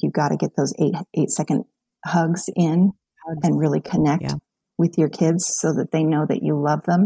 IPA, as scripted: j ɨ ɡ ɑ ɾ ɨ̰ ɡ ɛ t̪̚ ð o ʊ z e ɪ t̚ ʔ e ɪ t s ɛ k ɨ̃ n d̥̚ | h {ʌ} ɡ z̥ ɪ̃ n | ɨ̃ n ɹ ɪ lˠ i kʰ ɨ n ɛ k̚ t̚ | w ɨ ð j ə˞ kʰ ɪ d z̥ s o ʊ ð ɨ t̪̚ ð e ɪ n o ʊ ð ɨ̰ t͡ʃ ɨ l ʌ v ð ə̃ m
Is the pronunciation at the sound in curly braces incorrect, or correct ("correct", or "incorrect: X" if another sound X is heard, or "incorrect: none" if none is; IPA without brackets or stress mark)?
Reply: correct